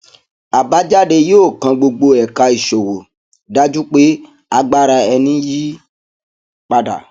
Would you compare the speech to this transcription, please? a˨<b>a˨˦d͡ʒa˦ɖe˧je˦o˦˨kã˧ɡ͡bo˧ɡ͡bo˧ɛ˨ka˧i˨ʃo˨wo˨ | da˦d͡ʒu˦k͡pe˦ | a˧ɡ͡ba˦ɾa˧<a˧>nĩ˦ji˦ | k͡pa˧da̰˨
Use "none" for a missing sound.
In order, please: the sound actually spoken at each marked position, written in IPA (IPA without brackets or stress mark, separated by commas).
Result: b, ɛ˧